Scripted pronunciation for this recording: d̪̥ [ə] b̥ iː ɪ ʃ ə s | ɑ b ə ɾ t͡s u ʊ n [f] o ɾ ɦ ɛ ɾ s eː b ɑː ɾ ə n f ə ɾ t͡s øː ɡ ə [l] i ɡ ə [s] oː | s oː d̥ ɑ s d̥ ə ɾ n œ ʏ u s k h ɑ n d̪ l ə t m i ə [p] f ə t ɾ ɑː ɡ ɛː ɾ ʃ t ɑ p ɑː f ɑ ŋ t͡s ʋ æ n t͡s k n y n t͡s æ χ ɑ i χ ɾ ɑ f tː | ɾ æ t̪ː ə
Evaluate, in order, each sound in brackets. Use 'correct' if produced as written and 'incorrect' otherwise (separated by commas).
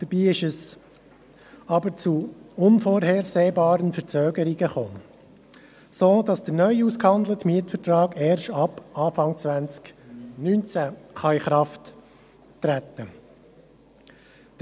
correct, correct, incorrect, incorrect, incorrect